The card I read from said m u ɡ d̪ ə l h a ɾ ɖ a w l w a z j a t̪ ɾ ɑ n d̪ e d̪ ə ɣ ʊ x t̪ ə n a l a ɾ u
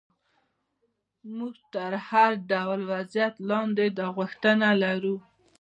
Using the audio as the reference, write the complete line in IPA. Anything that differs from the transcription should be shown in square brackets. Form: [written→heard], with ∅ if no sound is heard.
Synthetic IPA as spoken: m u ɡ [d̪→t̪] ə [l→ɾ] h a ɾ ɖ a w l w a z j a t̪ [ɾ→l] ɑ n d̪ e d̪ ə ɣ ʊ x t̪ ə n a l a ɾ u